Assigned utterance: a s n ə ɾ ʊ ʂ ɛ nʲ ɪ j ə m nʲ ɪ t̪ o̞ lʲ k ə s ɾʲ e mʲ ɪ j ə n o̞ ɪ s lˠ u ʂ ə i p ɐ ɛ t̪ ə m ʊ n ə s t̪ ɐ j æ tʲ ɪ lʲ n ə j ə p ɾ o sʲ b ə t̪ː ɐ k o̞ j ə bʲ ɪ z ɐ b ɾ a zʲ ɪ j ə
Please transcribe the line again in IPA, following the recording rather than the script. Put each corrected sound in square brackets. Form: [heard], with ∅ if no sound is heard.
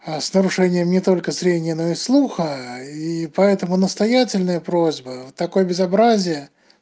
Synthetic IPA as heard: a s n ə ɾ ʊ ʂ ɛ nʲ ɪ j ə m nʲ ɪ t̪ o̞ lʲ k ə s ɾʲ e [nʲ] ɪ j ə n o̞ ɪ s lˠ u [x] ə i p ɐ ɛ t̪ ə m ʊ n ə s t̪ ɐ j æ tʲ ɪ lʲ n ə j ə p ɾ o [zʲ] b ə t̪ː ɐ k o̞ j ə bʲ ɪ z ɐ b ɾ a zʲ ɪ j ə